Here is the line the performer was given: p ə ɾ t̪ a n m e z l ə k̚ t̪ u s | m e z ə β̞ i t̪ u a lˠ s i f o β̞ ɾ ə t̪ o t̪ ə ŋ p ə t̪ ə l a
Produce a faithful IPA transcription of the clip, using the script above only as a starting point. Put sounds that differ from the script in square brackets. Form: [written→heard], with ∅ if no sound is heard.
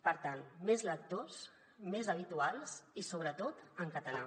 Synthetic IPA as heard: p ə ɾ t̪ a n m e z l ə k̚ t̪ [u→o] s | m e z ə β̞ i t̪ u a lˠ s i [f→s] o β̞ ɾ ə t̪ o t̪ ə ŋ [p→k] ə t̪ ə l a